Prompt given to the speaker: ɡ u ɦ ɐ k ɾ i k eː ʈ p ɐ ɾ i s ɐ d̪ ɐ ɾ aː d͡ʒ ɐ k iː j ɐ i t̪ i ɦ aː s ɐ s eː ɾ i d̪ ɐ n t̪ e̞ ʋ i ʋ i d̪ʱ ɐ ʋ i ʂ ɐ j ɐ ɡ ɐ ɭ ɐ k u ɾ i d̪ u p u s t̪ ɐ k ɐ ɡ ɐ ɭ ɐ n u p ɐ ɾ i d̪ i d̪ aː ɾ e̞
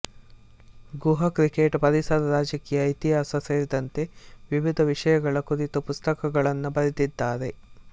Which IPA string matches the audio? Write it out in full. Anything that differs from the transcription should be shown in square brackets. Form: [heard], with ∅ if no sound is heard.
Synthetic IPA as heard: ɡ u ɦ ɐ k ɾ i k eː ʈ p ɐ ɾ i s ɐ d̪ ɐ ɾ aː d͡ʒ ɐ k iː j ɐ i t̪ i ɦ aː s ɐ s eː ɾ i d̪ ɐ n t̪ e̞ ʋ i ʋ i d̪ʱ ɐ ʋ i ʂ ɐ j ɐ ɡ ɐ ɭ ɐ k u ɾ i [t̪] u p u s t̪ ɐ k ɐ ɡ ɐ ɭ ɐ [nː] u [b] ɐ ɾ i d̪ i [d̪ː] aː ɾ e̞